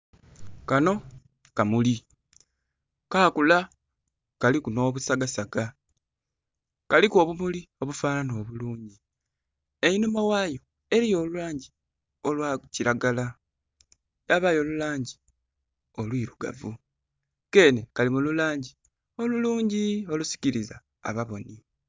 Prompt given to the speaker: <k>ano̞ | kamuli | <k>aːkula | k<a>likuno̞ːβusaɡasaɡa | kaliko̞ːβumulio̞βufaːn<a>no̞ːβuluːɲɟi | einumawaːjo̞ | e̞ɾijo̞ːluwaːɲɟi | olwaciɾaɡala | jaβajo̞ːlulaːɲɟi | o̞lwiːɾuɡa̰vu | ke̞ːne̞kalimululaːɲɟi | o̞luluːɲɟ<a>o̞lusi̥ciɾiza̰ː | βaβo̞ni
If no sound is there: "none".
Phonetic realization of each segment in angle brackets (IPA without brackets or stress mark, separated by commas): k, k, a, a, i